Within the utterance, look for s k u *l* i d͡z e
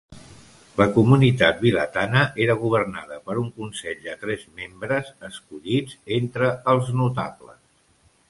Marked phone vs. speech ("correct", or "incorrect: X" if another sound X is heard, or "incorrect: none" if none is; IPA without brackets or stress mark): incorrect: ʎ